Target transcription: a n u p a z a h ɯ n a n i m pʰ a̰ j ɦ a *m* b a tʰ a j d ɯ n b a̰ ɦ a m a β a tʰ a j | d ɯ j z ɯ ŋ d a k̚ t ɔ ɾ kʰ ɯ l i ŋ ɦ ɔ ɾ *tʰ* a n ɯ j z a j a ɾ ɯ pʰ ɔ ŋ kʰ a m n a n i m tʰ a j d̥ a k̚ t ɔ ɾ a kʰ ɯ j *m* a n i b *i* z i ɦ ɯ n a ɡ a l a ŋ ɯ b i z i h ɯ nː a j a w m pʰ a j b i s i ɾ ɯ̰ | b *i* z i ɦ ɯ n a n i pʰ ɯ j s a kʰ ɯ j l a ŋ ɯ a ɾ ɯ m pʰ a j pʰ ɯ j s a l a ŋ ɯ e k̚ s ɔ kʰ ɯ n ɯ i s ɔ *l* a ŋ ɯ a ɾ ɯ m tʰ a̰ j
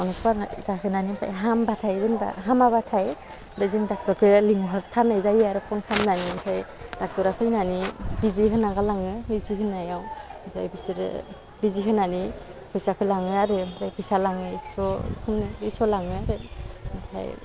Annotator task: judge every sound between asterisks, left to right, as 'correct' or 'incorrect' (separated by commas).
correct, correct, incorrect, correct, correct, correct